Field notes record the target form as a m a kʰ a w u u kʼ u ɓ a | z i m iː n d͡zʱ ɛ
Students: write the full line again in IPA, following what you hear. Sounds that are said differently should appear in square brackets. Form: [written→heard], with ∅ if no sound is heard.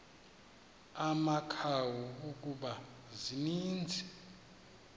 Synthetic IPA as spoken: a m a kʰ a w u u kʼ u ɓ a | z i [m→n] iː n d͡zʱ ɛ